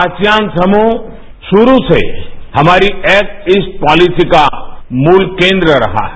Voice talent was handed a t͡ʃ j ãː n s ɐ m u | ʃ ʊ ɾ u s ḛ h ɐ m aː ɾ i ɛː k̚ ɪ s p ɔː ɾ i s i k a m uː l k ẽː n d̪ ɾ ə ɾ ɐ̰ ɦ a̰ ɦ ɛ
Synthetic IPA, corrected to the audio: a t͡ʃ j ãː n s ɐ m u | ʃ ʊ ɾ u s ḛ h ɐ m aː ɾ i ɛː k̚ ɪ s p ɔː l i s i k a m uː l k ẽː n d̪ ɾ ə ɾ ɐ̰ ɦ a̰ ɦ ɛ